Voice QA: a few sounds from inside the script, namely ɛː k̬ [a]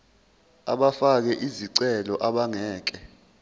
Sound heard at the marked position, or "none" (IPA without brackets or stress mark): ɛ